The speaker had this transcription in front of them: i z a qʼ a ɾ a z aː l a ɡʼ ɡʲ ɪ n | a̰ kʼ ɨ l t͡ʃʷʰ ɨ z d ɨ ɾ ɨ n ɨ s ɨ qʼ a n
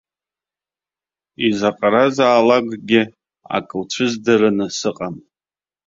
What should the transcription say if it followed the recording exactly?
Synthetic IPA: i z a qʼ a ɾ a z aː l a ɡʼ ɡʲ ɪ | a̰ kʼ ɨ l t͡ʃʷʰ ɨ z d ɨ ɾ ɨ n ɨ s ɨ qʼ a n